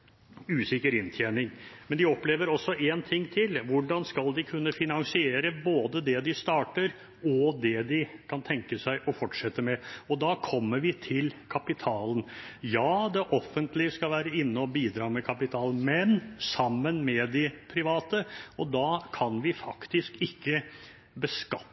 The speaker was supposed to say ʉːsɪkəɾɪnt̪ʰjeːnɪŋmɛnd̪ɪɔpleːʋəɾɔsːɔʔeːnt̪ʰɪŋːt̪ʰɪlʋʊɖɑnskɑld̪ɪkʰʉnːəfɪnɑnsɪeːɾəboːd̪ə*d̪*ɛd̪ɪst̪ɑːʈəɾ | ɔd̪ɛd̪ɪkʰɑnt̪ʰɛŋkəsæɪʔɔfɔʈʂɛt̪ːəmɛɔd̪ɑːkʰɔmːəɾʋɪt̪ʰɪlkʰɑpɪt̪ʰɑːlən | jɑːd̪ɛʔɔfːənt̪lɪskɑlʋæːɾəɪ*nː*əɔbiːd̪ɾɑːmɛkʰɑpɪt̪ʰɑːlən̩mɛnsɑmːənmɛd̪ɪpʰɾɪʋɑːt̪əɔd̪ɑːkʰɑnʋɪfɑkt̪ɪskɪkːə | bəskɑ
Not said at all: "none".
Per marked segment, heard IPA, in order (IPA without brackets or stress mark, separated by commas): d̪, nː